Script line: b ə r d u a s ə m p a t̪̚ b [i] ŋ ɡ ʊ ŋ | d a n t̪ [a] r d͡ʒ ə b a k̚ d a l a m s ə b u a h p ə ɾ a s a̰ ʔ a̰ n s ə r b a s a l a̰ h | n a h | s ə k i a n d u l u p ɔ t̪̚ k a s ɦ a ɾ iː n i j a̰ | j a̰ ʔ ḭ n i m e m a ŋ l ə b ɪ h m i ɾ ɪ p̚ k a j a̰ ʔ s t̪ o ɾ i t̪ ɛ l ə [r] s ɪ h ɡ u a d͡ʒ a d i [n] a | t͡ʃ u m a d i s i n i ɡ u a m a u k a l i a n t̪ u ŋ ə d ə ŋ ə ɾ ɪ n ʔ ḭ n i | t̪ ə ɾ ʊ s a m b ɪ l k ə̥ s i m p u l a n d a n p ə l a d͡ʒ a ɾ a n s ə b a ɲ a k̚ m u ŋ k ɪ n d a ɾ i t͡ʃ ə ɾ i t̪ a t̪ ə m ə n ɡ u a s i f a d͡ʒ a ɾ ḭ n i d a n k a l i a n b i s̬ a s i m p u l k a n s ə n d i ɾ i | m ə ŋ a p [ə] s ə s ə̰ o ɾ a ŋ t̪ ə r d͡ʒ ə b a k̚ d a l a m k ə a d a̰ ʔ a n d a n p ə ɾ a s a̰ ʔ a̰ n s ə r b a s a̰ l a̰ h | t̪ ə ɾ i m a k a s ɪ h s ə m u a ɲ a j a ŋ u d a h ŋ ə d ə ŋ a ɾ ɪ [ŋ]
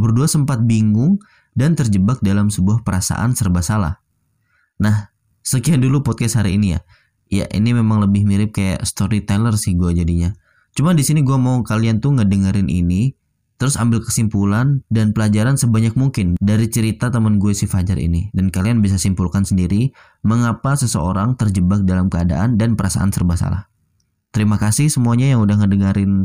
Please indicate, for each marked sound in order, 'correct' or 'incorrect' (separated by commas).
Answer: correct, incorrect, correct, incorrect, incorrect, incorrect